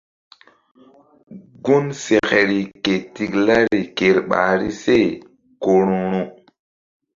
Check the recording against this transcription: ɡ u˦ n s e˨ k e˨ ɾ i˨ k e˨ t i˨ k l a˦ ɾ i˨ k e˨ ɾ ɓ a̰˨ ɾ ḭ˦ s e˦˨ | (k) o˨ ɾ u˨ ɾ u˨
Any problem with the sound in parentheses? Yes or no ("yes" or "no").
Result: no